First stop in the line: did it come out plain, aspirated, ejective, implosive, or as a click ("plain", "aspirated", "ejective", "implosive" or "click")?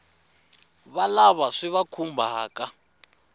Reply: aspirated